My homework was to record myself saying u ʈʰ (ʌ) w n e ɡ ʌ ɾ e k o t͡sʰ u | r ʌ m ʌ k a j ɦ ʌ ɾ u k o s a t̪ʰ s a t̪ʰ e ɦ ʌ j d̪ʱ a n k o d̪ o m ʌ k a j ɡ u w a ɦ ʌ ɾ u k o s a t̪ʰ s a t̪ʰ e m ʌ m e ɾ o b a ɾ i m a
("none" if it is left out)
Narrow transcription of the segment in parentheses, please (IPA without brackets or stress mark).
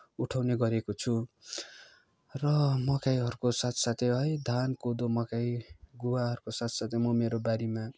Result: a